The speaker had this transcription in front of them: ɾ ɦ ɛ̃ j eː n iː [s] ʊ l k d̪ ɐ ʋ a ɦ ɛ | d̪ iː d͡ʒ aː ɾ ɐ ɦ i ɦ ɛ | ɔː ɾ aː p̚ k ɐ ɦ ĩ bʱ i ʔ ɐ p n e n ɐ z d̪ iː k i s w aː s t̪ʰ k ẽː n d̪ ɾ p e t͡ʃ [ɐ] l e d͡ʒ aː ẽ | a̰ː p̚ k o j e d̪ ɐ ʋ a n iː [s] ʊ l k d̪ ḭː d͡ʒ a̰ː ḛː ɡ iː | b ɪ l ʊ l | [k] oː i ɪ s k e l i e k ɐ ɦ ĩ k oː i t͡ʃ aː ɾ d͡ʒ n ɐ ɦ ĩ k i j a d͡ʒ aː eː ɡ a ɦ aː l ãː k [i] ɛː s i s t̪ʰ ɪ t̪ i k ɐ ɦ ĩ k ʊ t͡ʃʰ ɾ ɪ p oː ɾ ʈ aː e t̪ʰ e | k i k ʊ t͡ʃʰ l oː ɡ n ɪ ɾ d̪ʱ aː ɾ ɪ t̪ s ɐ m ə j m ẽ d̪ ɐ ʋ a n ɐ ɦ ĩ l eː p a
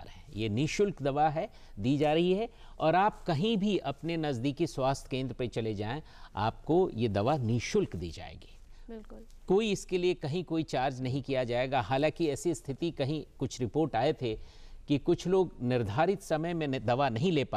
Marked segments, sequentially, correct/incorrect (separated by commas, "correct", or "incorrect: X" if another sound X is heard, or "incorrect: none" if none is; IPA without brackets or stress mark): incorrect: ʃ, correct, incorrect: ʃ, correct, correct